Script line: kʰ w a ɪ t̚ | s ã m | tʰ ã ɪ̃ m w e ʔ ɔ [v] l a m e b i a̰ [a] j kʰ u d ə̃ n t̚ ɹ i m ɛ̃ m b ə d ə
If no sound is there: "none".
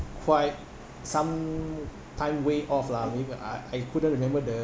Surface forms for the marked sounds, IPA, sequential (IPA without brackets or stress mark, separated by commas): f, a